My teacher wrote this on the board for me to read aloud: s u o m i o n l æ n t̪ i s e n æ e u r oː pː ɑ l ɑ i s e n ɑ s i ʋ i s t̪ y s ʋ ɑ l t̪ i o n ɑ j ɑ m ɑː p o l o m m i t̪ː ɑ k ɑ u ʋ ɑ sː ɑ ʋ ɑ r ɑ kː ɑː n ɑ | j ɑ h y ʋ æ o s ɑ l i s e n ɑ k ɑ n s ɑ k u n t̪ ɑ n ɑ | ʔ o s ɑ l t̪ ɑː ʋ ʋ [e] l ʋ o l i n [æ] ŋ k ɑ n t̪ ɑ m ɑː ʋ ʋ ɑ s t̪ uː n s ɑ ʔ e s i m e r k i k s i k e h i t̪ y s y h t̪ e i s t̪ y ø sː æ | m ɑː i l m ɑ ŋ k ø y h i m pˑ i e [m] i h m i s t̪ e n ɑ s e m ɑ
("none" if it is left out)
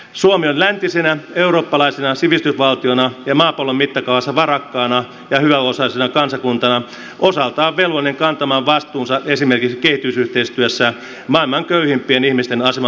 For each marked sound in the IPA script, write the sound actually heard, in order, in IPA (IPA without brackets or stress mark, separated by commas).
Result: e, e, n